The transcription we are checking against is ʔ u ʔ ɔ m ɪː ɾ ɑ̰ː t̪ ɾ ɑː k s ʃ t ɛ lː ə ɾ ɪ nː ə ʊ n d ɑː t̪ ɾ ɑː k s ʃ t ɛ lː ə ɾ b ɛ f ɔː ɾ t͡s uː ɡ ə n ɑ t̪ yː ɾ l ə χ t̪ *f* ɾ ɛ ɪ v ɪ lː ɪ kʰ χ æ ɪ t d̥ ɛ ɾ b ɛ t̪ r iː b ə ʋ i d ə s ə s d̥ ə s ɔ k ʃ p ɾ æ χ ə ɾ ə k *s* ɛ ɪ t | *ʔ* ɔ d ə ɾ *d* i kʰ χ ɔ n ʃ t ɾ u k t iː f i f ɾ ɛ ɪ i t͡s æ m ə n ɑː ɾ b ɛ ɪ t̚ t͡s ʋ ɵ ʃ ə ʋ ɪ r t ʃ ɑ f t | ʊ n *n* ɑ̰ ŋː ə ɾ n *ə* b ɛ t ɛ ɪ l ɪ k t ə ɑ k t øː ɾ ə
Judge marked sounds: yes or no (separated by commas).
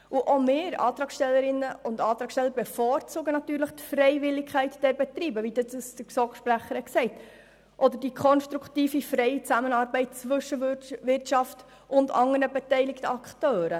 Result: yes, yes, yes, yes, no, yes